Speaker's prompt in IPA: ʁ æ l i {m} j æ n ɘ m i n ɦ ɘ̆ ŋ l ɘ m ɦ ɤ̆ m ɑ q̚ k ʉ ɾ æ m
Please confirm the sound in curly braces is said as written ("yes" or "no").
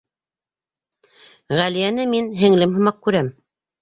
no